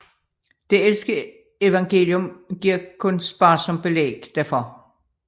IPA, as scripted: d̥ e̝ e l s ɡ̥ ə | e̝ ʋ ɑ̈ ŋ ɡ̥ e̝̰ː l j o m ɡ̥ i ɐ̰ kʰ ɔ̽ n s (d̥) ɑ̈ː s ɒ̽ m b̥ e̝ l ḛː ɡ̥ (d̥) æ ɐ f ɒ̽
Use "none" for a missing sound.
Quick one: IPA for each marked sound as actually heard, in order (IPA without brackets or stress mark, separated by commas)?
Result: b̥, d̥